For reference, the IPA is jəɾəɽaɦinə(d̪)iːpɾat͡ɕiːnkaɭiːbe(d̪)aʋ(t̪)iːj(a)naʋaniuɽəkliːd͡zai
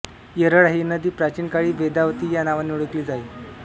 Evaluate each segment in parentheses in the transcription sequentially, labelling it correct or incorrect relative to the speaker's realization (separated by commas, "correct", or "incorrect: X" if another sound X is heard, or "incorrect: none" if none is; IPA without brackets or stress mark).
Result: correct, correct, correct, correct